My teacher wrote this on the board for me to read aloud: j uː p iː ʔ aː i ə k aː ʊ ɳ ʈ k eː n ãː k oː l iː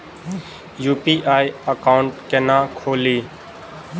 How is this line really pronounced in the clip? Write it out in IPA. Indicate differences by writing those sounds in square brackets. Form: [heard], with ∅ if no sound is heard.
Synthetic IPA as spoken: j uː p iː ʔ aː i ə k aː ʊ ɳ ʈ k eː n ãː [kʰ] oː l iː